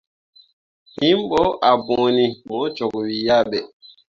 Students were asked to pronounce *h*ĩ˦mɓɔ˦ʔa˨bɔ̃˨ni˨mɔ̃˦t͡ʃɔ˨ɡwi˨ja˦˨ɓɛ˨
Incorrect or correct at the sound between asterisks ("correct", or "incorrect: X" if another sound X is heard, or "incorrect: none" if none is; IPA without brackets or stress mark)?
correct